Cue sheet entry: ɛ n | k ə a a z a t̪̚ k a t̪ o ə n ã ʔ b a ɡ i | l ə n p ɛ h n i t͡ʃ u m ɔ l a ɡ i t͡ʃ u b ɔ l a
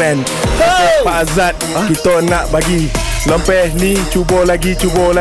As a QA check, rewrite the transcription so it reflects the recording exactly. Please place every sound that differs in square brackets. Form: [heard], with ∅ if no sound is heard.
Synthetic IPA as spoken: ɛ n | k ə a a z a t̪̚ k [i] t̪ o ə n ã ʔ b a ɡ i | l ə [m] p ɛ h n i t͡ʃ u [b] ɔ l a ɡ i t͡ʃ u b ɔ l a